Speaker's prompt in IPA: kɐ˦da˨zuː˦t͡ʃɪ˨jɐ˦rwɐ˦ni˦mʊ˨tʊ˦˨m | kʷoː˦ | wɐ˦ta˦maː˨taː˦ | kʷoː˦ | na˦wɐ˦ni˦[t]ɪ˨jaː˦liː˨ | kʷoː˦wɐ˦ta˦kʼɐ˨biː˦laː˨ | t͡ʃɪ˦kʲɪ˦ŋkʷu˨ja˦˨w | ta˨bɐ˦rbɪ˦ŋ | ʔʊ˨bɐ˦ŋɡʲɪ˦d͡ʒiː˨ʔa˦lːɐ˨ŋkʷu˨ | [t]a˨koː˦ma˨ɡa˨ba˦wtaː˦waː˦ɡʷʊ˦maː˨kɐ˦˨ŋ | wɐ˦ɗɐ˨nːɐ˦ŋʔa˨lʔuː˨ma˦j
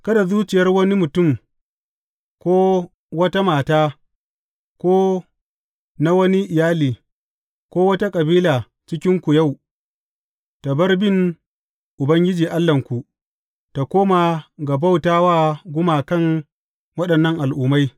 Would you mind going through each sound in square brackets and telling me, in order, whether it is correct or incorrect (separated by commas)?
incorrect, correct